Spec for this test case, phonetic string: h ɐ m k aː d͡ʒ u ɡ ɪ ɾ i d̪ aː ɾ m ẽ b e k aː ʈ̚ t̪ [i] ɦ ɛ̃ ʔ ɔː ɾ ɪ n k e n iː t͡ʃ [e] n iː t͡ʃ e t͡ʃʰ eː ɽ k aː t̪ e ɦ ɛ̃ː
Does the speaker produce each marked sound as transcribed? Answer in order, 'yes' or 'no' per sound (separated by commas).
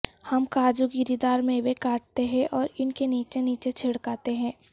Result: no, yes